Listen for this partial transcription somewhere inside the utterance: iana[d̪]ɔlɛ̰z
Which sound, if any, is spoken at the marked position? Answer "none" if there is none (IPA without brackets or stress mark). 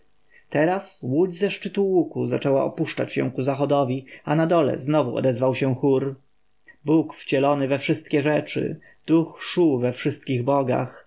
d̪